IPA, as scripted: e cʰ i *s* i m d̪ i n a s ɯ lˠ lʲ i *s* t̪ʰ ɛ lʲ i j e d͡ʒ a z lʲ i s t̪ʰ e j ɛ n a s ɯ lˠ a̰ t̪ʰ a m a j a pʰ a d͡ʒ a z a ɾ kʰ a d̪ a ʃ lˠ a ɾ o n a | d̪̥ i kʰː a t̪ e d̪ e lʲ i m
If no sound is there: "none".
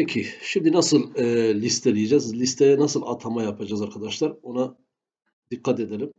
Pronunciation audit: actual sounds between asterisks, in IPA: ʃ, s

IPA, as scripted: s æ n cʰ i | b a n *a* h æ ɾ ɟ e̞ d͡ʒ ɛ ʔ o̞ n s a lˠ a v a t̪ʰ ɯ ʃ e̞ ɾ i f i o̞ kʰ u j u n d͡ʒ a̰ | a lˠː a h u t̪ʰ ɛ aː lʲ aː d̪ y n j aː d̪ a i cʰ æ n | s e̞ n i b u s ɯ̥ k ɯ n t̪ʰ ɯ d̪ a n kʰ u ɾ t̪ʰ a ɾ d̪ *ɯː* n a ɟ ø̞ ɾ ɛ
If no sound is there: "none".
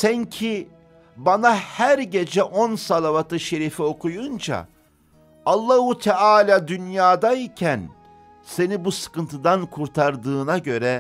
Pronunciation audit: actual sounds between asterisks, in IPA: a, ɯː

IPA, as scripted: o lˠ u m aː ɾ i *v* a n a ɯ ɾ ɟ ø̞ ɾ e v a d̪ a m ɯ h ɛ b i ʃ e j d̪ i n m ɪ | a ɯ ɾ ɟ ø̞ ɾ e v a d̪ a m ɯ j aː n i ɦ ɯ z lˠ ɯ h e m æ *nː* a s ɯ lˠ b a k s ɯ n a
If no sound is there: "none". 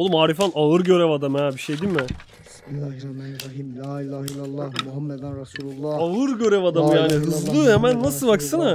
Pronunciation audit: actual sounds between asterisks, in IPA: f, nː

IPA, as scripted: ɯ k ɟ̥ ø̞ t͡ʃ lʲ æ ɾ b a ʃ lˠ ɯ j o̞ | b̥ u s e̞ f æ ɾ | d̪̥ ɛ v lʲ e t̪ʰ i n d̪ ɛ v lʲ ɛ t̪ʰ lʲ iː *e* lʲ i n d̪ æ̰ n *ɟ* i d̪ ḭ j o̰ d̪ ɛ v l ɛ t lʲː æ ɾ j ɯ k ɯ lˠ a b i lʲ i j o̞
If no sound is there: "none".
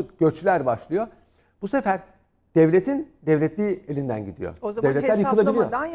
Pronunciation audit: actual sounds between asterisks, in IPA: e, ɟ

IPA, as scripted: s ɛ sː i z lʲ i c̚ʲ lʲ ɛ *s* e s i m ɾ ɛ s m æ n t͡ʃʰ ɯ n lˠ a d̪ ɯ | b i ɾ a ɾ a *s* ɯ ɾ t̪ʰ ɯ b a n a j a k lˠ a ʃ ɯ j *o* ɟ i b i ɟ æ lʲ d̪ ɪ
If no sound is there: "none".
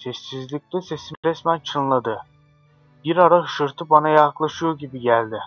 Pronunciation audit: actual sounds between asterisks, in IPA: s, ʃ, o

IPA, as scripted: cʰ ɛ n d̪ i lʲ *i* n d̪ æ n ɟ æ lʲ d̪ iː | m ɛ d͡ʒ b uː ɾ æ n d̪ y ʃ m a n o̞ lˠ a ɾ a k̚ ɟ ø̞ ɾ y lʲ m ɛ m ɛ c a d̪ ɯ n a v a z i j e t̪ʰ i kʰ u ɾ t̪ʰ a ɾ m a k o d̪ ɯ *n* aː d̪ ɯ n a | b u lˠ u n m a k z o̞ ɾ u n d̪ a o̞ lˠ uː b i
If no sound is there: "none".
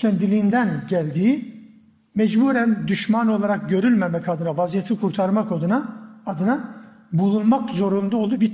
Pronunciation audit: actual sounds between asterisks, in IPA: iː, n

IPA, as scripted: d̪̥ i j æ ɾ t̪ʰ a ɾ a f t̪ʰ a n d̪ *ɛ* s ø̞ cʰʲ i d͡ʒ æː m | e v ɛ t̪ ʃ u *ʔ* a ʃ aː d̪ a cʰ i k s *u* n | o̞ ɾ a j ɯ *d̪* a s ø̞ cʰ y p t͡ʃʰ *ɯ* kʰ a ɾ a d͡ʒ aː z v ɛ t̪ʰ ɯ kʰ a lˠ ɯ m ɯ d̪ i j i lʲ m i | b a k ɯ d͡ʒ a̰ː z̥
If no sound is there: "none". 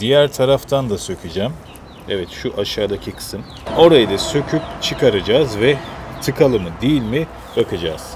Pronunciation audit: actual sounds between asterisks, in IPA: a, ʔ, ɯ, d̪, ɯ

